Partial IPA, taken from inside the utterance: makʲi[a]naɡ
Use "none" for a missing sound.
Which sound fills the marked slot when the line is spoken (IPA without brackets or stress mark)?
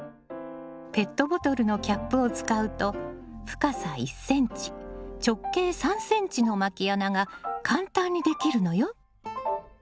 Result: a